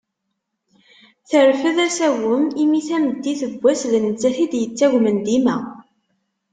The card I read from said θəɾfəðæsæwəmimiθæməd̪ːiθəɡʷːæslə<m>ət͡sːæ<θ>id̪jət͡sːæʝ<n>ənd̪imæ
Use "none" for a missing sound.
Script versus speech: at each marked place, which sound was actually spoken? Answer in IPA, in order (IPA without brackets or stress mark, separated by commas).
n, θ, m